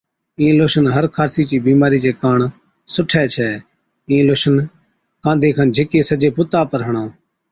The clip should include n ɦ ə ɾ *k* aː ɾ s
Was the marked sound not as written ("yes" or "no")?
yes